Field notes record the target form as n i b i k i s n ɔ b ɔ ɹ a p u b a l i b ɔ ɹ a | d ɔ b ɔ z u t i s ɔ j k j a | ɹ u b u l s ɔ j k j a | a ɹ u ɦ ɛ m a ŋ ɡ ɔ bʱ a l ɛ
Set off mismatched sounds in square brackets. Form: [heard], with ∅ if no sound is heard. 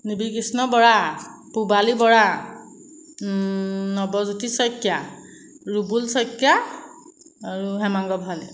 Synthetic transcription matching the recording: n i b i k i s n ɔ b ɔ ɹ a p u b a l i b ɔ ɹ a | [n] ɔ b ɔ z u t i s ɔ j k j a | ɹ u b u l s ɔ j k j a | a ɹ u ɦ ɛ m a ŋ ɡ ɔ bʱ a l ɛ